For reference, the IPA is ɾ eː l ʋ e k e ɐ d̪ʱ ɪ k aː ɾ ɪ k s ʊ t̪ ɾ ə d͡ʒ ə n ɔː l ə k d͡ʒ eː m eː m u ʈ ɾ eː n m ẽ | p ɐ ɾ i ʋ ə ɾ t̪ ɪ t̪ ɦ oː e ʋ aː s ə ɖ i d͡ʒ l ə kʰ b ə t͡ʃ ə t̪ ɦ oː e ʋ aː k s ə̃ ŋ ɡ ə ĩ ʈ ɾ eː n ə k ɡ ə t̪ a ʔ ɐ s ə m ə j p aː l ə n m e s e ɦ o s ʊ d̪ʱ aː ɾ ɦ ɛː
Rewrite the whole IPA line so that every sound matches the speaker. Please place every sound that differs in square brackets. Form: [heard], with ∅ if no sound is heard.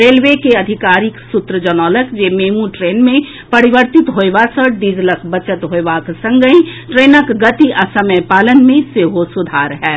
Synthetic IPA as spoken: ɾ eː l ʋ e k e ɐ d̪ʱ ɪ k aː ɾ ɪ k s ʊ t̪ ɾ ə d͡ʒ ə n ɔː l ə k d͡ʒ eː m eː m u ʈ ɾ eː n m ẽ | p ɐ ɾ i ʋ ə ɾ t̪ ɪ t̪ ɦ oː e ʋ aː s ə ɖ i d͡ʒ l ə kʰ b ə t͡ʃ ə t̪ ɦ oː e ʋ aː k s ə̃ ŋ ɡ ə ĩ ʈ ɾ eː n ə k ɡ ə t̪ [i] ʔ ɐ s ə m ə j p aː l ə n m [ẽ] s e ɦ o s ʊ d̪ʱ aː ɾ ɦ ɛː